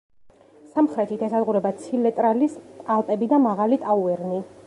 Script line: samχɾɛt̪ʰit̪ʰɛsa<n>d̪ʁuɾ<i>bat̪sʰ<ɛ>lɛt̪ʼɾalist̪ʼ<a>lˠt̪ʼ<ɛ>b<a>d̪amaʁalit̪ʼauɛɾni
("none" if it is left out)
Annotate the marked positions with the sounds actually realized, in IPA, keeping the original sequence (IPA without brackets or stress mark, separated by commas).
none, ɛ, i, a, ɛ, i